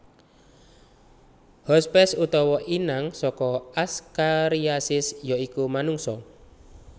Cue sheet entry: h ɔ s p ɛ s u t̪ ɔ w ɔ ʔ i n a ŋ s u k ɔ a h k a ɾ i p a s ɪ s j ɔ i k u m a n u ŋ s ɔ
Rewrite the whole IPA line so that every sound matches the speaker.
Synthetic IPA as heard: h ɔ s p ɛ s u t̪ ɔ w ɔ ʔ i n a ŋ s ɔ k ɔ a s k a ɾ i a s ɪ s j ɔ i k u m a n u ŋ s ɔ